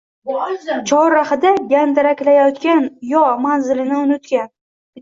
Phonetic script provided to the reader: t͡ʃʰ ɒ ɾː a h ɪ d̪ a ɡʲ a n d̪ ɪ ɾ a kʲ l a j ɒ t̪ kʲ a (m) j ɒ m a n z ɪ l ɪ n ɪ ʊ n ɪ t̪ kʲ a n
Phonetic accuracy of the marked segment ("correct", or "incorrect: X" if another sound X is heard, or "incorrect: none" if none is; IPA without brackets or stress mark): incorrect: n